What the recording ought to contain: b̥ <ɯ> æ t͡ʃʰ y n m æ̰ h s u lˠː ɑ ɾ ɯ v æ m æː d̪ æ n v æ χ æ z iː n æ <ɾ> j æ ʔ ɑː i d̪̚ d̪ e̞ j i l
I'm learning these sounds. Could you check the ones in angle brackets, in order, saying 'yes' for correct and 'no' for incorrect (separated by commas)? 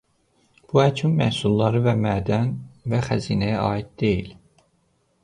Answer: no, no